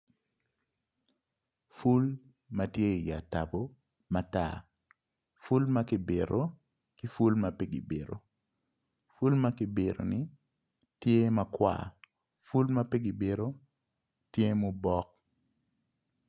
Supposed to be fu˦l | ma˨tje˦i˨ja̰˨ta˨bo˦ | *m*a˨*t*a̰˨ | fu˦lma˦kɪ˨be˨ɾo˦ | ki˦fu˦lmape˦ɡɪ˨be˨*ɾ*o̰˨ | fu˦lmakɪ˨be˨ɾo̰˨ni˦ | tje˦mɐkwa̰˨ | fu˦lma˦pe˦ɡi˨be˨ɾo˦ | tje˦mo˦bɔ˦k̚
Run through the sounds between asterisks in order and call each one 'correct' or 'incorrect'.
correct, correct, correct

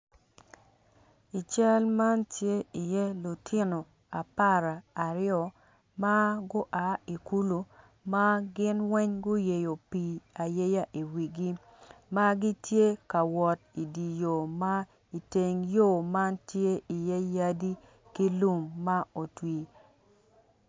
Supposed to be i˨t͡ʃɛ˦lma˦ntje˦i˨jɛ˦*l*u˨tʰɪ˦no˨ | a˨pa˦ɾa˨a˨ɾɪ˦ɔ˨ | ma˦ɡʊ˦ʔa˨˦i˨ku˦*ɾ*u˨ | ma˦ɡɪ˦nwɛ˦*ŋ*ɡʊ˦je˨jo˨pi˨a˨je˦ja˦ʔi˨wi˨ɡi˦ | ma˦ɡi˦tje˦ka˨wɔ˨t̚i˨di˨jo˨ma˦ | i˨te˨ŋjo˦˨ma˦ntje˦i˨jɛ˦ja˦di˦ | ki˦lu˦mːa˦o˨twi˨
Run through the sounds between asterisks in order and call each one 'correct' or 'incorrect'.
correct, incorrect: l, incorrect: ɲ

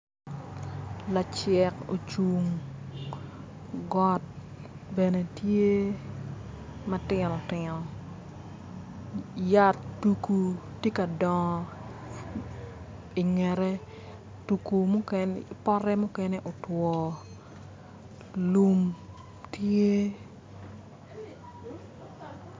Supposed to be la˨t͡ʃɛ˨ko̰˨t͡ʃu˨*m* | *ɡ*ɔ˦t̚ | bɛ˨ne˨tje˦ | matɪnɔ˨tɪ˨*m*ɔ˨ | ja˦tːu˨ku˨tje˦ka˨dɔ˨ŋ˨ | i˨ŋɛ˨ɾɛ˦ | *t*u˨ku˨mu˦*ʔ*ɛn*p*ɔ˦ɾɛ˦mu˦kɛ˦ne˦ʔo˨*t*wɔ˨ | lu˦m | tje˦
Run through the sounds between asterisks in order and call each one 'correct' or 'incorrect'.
incorrect: ŋ, correct, incorrect: n, correct, incorrect: k, correct, correct

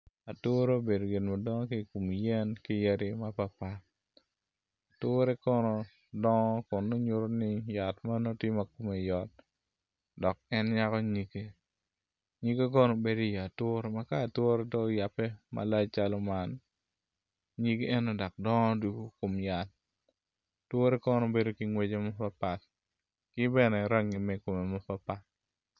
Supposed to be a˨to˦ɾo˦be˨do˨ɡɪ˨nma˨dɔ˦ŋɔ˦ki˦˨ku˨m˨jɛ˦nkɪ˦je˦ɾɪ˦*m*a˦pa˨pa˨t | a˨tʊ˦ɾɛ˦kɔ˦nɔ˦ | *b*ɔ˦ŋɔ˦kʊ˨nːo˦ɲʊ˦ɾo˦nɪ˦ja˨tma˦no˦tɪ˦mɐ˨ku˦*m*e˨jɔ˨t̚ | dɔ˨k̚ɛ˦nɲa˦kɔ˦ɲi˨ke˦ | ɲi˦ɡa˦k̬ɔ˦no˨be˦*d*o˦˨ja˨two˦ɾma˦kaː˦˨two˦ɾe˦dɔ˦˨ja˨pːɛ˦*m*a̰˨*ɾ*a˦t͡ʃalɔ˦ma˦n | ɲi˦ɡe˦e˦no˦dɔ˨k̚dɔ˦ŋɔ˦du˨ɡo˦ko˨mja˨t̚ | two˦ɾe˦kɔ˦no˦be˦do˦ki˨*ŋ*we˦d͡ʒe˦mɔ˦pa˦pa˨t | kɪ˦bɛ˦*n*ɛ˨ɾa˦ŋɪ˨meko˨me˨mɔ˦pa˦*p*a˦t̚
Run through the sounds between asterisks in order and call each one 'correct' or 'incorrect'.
correct, incorrect: d, correct, correct, correct, incorrect: l, correct, correct, correct

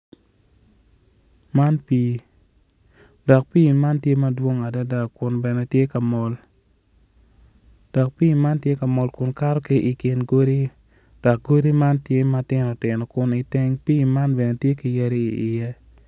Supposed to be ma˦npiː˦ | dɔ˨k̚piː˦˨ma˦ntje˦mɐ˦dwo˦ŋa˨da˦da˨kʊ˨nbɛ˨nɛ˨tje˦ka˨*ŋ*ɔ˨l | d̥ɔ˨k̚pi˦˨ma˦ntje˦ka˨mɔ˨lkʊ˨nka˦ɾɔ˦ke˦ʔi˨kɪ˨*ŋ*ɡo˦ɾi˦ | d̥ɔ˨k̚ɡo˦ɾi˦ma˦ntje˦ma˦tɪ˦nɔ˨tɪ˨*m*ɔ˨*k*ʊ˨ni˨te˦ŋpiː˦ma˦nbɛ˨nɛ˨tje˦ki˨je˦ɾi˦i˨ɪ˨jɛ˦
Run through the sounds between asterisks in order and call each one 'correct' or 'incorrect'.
incorrect: m, incorrect: n, incorrect: n, correct

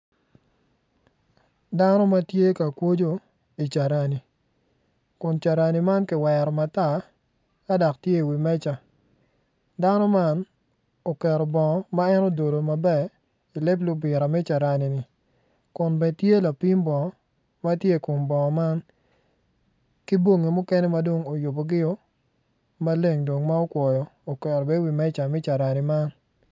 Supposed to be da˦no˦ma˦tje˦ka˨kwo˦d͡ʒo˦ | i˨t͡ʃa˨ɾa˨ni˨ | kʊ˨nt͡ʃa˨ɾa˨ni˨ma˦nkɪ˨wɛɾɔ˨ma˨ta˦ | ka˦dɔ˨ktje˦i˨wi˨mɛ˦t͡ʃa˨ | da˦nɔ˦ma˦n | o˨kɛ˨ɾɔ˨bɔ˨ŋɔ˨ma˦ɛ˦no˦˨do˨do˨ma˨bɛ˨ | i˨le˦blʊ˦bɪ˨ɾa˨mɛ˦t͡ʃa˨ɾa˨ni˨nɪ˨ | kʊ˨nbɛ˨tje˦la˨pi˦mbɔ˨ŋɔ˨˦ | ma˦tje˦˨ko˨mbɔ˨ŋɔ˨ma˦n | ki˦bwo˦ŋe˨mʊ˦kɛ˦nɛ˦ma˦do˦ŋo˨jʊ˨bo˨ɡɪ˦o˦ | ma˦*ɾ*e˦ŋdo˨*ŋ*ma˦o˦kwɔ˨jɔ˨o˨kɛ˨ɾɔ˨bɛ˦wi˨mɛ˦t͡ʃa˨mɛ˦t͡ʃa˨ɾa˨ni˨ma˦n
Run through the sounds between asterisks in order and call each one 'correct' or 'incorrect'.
incorrect: l, correct

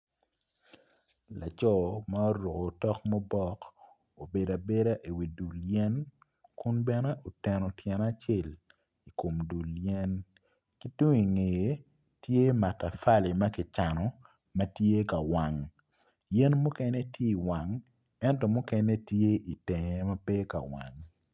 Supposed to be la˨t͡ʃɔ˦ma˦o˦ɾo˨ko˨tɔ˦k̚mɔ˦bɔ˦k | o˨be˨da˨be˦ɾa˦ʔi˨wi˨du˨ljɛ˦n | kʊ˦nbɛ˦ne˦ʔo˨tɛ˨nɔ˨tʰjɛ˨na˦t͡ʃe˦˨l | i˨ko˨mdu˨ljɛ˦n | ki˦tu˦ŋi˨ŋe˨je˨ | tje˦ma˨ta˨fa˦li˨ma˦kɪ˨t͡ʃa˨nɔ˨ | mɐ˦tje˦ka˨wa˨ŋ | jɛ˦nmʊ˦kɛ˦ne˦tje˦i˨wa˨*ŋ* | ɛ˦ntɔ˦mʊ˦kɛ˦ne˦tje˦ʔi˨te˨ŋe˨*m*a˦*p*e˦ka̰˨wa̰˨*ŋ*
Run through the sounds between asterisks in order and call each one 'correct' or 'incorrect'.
correct, correct, correct, correct

